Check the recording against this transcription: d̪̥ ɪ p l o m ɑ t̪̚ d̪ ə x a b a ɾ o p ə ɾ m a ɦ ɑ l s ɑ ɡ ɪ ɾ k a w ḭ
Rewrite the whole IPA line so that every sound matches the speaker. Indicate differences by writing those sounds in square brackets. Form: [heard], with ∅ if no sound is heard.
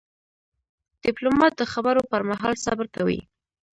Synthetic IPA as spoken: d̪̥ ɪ p l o m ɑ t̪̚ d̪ ə x a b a ɾ o p ə ɾ m a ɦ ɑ l s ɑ [b] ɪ ɾ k a w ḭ

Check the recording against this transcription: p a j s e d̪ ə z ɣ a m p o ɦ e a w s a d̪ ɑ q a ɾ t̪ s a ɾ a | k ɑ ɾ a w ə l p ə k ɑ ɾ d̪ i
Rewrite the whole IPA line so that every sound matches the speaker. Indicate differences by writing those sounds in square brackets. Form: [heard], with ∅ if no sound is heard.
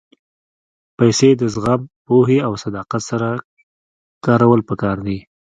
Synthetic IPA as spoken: p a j s e d̪ ə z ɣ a m p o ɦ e a w s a d̪ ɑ q a [∅] t̪ s a ɾ a | k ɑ ɾ a w ə l p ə k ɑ ɾ d̪ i

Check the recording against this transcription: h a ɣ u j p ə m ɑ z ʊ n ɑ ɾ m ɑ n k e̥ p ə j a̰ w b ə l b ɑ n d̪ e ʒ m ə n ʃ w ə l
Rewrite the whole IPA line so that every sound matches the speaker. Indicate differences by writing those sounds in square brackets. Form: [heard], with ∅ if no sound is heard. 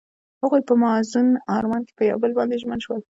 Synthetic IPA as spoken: h a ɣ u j p ə m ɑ z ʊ n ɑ ɾ m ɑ n k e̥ p ə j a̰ w b ə l b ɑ n d̪ e ʒ m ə n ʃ w ə l

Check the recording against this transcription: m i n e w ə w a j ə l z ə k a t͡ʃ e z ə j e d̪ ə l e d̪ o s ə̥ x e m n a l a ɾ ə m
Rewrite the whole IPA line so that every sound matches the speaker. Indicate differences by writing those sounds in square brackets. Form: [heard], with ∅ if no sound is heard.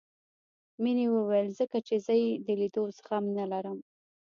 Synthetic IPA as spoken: m i n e w ə w a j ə l z ə k a t͡ʃ e z ə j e d̪ ə l [i] d̪ o s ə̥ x [a] m n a l a ɾ ə m

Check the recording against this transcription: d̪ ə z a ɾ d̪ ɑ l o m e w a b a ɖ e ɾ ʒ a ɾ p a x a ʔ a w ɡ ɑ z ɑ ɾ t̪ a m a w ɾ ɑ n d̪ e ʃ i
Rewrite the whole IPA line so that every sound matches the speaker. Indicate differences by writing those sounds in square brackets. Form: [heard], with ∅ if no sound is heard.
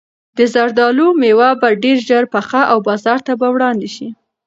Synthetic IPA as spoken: d̪ ə z a ɾ d̪ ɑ l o m e w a b a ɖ e ɾ ʒ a ɾ p a x a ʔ a w [b] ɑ z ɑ ɾ t̪ a [b] a w [ɽ] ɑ n d̪ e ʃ i

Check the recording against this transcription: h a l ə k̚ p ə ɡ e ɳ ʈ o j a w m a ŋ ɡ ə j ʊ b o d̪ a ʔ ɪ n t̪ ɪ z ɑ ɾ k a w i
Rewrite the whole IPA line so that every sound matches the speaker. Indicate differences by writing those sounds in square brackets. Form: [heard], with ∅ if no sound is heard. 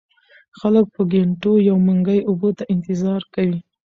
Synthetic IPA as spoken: [x] a l ə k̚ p ə ɡ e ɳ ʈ o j a w m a ŋ ɡ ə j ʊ b o [t̪] a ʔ ɪ n t̪ ɪ z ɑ ɾ k a w i

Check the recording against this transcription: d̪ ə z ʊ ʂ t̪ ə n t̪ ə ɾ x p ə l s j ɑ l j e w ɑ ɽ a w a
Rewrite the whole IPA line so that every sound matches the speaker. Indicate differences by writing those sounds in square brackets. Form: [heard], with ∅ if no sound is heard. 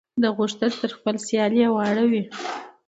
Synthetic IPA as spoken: d̪ ə [ɣ] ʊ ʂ t̪ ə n t̪ ə ɾ x p ə l s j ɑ l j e w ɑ ɽ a w [i]

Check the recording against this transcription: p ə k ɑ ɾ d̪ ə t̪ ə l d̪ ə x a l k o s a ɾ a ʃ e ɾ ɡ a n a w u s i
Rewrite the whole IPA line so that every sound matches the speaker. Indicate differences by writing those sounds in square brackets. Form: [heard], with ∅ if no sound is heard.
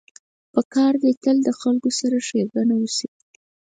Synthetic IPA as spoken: p ə k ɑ ɾ d̪ ə t̪ ə l d̪ ə x a l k o s a ɾ a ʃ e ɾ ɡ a n a w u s i

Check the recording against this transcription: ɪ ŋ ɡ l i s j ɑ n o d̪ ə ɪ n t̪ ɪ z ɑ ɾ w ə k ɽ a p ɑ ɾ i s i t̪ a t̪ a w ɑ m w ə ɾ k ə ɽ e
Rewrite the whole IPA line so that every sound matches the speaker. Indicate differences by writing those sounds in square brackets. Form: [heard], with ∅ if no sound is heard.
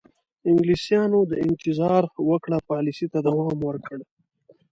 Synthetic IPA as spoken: ɪ ŋ ɡ l i s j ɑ n o d̪ ə ɪ n t̪ ɪ z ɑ ɾ w ə k ɽ a p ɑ [l] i s i t̪ a [d̪] a w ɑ m w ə ɾ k ə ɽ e

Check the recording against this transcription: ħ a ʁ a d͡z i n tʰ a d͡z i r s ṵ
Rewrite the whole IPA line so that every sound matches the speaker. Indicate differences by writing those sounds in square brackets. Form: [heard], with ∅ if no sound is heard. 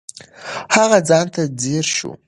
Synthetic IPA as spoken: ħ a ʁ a d͡z [a] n tʰ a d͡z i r [ʃ] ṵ

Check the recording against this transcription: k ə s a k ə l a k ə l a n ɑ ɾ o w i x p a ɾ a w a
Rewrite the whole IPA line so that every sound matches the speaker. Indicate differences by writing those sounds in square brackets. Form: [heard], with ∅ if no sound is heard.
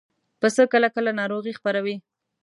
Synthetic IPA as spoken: [p] ə s [ə] k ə l a k ə l a n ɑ ɾ o [ɣ] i x p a ɾ a w [i]

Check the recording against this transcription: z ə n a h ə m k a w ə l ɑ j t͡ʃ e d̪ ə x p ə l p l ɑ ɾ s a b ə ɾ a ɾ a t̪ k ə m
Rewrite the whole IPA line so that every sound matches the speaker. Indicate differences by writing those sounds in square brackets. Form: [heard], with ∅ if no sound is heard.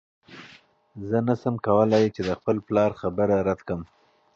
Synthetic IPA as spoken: z ə n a [s] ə m k a w ə l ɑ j t͡ʃ e d̪ ə x p ə l p l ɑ ɾ [x] a b ə ɾ a ɾ a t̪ k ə m

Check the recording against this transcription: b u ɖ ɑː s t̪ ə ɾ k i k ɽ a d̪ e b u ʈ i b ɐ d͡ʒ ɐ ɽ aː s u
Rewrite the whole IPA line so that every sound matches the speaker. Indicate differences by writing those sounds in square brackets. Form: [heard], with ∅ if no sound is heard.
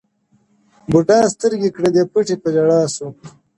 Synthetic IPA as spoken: b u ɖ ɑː s t̪ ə ɾ [ɡ] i k ɽ [e] d̪ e [p] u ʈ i [p] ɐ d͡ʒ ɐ ɽ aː s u

